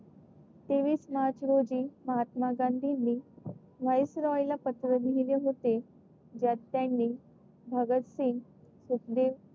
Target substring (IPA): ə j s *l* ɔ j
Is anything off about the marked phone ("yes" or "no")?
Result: yes